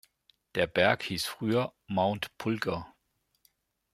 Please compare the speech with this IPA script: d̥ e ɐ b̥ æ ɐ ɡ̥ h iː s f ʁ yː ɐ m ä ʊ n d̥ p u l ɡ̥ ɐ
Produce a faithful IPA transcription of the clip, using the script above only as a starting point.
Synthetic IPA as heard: d̥ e ɐ b̥ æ ɐ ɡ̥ h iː s f ʁ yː ɐ m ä ʊ n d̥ pʰ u l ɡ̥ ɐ